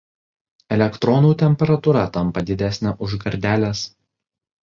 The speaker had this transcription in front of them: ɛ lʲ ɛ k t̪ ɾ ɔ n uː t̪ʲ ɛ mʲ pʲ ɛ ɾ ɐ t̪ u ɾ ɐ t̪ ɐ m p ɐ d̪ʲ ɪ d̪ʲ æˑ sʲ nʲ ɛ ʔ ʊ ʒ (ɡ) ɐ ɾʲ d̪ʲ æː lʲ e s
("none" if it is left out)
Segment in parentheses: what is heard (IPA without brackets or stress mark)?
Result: ɡ